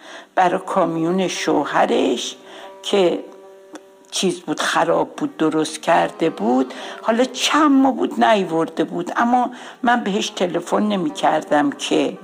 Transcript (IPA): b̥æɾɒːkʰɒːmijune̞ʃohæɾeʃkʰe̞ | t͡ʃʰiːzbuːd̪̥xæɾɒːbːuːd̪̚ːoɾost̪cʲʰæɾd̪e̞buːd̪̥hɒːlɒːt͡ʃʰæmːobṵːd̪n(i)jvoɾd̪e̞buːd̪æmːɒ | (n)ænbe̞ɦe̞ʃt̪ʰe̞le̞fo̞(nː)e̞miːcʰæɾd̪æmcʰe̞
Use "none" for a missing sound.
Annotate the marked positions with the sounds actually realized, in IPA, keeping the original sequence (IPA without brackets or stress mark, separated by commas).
æ, m, nː